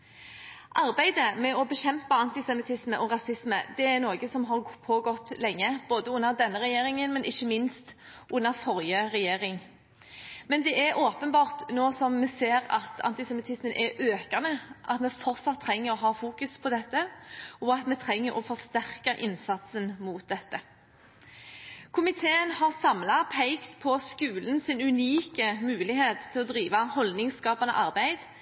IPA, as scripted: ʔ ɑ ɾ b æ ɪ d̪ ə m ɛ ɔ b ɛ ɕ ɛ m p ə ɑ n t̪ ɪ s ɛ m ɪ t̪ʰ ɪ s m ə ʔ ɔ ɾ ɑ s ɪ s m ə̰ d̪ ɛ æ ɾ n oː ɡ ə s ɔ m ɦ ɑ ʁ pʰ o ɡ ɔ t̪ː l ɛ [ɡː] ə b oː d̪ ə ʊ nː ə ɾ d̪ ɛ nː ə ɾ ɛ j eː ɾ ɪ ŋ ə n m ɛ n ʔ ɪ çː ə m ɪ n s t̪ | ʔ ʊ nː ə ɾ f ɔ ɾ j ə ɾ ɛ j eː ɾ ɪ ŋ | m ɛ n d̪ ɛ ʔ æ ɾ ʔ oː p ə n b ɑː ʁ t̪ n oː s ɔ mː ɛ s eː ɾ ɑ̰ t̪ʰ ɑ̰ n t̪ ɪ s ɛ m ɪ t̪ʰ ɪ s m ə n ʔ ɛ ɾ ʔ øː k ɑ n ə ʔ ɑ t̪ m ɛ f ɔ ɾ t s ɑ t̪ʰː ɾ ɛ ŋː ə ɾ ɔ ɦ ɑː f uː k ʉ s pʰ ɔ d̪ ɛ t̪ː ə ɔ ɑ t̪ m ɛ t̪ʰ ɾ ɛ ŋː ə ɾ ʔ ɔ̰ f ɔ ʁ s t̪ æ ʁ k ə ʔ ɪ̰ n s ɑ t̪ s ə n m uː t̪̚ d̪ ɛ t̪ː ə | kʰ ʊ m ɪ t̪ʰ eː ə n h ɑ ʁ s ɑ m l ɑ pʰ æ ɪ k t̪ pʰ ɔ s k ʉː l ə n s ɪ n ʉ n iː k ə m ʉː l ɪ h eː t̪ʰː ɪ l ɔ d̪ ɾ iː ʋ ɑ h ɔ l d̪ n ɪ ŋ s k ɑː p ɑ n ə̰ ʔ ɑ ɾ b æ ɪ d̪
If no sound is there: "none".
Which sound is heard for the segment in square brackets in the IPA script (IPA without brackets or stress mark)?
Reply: ŋː